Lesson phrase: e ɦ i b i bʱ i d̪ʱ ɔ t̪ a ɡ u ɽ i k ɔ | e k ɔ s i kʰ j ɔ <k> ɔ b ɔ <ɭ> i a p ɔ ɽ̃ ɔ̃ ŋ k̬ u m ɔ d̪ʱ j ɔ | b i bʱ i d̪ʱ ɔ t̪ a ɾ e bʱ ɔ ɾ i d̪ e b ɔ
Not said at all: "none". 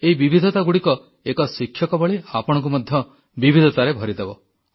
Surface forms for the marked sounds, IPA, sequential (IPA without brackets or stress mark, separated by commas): k, ɭ